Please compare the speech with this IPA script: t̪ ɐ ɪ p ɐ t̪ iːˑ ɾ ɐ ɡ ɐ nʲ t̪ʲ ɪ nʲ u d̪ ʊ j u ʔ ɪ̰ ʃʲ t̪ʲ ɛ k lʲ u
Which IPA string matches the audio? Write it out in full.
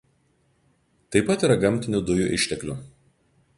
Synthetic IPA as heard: t̪ ɐ ɪ p ɐ t̪ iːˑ ɾ ɐ ɡ ɐ mʲ t̪ʲ ɪ nʲ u d̪ ʊ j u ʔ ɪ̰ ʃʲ t̪ʲ ɛ k lʲ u